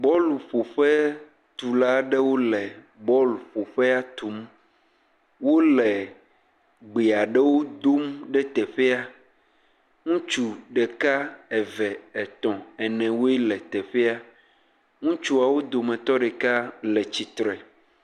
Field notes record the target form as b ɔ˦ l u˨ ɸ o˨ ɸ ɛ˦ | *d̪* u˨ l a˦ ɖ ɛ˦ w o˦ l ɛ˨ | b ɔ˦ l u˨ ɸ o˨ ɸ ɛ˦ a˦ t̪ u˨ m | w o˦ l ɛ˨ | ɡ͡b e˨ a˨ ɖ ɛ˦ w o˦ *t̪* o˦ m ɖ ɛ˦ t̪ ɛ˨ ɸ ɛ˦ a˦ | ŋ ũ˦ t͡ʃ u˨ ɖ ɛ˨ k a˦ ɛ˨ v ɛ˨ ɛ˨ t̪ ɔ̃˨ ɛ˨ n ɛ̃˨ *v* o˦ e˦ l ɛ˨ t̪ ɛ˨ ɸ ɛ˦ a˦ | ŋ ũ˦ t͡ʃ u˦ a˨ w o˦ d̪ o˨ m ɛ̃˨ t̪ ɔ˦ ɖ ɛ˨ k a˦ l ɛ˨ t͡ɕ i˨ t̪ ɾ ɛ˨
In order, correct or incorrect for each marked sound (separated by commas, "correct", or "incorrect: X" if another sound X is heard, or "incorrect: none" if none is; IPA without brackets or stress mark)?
incorrect: t̪, incorrect: d̪, incorrect: w